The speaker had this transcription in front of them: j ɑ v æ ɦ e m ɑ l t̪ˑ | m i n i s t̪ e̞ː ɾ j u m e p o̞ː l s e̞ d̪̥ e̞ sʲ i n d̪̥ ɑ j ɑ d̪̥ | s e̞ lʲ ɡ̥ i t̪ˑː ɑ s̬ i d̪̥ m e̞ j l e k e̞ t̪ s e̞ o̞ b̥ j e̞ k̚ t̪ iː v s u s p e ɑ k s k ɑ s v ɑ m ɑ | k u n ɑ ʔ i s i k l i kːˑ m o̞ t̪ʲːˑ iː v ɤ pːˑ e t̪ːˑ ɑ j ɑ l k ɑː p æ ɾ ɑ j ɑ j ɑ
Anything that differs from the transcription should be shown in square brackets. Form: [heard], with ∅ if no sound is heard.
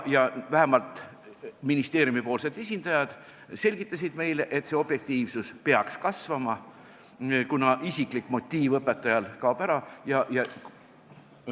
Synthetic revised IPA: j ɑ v æ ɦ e m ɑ l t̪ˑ | m i n i s t̪ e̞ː ɾ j u m [i] p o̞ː l s e̞ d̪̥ e̞ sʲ i n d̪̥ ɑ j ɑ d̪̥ | s e̞ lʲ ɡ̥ i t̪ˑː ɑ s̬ i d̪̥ m e̞ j l e [ʔ] e̞ t̪ s e̞ o̞ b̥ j e̞ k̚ t̪ iː v s u s p e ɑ k s k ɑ s v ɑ m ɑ | k u n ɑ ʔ i s i k l i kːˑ m o̞ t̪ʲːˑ iː v ɤ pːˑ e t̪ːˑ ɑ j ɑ l k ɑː p æ ɾ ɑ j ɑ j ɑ